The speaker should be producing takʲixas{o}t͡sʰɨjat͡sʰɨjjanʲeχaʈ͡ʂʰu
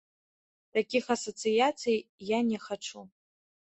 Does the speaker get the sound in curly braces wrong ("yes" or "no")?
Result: no